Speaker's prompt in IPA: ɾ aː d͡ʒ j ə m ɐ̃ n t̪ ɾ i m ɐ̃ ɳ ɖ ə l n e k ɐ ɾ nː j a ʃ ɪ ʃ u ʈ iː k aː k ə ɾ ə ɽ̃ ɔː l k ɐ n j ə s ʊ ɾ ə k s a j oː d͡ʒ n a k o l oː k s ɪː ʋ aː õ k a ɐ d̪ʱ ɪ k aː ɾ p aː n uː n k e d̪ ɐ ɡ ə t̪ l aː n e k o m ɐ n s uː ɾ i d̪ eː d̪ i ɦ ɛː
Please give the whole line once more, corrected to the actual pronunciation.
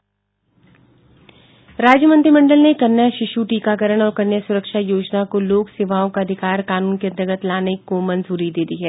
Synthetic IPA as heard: ɾ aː d͡ʒ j ə m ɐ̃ n t̪ ɾ i m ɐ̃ ɳ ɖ ə l n e k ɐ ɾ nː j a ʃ ɪ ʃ u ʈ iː k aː k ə ɾ ə ɽ̃ ɔː ɾ k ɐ n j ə s ʊ ɾ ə k ʃ a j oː d͡ʒ n a k o l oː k s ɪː ʋ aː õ k a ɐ d̪ʱ ɪ k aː ɾ k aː n uː n k e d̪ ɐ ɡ ə t̪ l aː n e k o m ɐ n z uː ɾ i d̪ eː d̪ i ɦ ɛː